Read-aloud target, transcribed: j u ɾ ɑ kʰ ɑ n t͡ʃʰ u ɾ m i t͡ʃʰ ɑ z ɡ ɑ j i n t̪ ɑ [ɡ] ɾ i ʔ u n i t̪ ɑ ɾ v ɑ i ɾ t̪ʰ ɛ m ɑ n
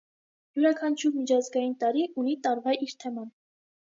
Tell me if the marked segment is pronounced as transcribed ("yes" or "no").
no